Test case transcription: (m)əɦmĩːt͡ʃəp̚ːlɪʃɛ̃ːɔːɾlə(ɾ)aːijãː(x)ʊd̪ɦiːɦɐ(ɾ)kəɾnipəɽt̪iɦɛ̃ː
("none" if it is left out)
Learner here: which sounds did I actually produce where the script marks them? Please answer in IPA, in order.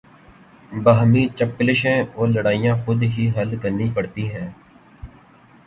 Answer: b, ɽ, x, l

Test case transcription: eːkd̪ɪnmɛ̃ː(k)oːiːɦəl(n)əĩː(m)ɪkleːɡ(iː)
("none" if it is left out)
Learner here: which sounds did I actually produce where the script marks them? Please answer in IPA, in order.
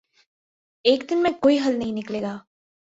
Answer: k, n, n, aː

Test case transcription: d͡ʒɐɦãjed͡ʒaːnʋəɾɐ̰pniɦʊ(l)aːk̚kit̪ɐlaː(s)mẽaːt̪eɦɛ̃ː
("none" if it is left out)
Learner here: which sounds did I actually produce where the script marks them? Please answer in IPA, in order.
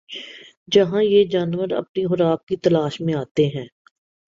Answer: ɾ, ʃ

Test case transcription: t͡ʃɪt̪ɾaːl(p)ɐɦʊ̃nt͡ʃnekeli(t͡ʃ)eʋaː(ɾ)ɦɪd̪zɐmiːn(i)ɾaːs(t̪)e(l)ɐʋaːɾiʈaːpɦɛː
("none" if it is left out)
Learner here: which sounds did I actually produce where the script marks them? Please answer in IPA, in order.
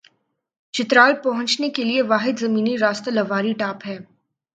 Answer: p, none, none, i, t̪, l

